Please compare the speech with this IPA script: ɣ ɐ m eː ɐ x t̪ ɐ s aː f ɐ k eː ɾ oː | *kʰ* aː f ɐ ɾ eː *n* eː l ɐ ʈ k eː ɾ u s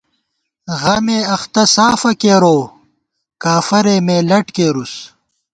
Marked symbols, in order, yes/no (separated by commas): no, no